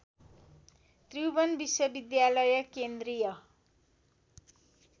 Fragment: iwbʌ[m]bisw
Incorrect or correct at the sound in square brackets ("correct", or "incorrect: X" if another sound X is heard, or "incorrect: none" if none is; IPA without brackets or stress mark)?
incorrect: n